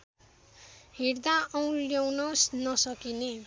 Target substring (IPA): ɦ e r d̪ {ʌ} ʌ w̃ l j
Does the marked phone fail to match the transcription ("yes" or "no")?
yes